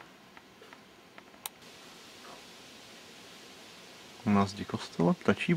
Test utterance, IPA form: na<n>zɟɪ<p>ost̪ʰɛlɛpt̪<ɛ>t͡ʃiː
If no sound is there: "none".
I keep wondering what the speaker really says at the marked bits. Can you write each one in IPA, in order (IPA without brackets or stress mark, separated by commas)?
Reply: none, k, a